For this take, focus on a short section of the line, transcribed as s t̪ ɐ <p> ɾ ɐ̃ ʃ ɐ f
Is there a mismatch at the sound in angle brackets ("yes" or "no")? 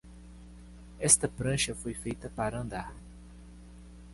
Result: no